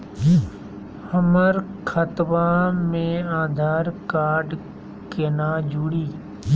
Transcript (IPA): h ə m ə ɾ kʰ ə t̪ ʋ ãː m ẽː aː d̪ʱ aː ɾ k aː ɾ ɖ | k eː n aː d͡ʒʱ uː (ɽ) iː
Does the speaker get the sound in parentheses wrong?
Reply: no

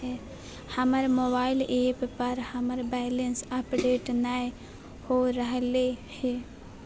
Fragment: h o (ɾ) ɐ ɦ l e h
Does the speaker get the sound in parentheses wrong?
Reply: no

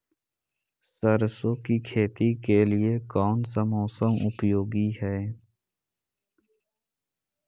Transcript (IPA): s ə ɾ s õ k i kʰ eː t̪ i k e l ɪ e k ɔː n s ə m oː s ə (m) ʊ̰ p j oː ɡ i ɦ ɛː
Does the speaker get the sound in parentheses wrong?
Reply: no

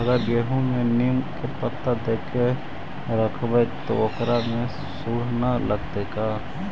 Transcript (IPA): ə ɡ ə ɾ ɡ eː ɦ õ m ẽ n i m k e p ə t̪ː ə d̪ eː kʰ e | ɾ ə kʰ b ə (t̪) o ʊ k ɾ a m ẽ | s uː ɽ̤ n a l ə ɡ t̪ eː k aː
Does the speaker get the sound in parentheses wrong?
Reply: no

